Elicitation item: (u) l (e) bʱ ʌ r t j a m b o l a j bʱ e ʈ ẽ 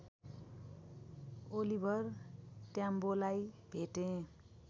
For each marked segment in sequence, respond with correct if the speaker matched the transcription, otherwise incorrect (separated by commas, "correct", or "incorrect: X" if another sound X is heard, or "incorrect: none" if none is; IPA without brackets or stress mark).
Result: incorrect: o, incorrect: i